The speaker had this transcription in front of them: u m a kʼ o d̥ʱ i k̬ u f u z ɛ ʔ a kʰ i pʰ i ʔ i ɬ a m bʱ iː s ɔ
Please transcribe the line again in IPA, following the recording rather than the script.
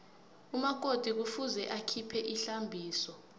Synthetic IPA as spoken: u m a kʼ o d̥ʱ i k̬ u f u z ɛ ʔ a kʰ i pʰ ɛ ʔ i ɬ a m bʱ iː s ɔ

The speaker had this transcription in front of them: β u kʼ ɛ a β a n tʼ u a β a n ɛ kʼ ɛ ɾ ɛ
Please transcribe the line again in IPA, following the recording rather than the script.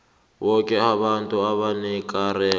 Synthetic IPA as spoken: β ɔ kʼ ɛ a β a n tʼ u a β a n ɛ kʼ a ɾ ɛ

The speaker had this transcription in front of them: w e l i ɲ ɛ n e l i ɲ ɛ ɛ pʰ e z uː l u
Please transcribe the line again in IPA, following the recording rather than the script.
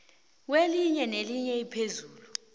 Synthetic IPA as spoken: w e l i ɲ ɛ n e l i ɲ ɛ i pʰ e z uː l u

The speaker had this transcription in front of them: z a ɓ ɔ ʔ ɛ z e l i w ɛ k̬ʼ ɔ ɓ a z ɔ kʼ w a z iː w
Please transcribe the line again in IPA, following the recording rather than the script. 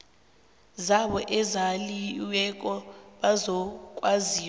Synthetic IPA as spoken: z a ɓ ɔ ʔ ɛ z a l i w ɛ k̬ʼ ɔ ɓ a z ɔ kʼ w a z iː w

